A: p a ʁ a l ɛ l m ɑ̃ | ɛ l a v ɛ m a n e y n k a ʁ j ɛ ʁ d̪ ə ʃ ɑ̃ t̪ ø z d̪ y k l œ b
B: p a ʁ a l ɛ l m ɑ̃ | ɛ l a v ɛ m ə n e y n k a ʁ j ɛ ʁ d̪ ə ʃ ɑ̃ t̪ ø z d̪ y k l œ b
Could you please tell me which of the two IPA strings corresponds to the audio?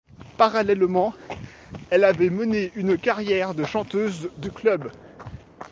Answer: B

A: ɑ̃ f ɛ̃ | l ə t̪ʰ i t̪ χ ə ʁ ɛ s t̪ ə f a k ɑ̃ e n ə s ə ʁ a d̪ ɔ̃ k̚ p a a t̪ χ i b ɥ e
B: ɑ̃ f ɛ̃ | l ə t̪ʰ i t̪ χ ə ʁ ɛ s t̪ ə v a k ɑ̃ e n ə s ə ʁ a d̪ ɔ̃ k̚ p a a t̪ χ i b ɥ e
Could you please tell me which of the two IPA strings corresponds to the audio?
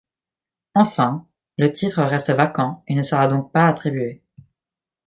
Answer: B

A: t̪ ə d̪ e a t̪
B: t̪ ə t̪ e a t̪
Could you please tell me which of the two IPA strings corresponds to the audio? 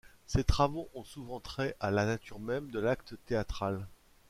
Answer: B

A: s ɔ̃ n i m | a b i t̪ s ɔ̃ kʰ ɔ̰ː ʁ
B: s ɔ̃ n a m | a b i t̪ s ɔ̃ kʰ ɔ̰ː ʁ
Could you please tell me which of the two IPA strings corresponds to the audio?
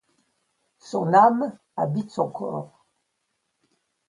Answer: B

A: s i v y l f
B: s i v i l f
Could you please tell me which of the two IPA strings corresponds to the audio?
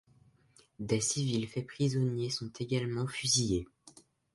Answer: B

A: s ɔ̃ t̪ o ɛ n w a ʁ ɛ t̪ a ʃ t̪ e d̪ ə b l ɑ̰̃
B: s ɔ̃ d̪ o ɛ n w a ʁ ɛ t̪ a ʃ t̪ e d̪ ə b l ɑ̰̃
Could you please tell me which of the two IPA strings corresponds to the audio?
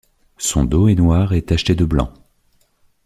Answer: B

